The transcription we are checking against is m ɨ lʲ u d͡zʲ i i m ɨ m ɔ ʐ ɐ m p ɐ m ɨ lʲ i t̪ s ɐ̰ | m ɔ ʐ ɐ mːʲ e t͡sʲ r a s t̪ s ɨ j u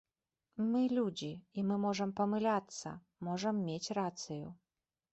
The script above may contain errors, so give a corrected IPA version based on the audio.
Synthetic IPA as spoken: m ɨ lʲ u d͡zʲ i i m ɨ m ɔ ʐ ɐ m p ɐ m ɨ lʲ a t̪ s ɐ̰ | m ɔ ʐ ɐ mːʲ e t͡sʲ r a t̪ s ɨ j u